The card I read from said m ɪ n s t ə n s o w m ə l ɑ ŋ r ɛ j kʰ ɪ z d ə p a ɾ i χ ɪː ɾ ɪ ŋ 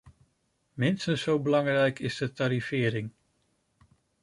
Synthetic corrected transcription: m ɪ n s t ə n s o w b ə l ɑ ŋ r ɛ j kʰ ɪ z d ə t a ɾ i f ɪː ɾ ɪ ŋ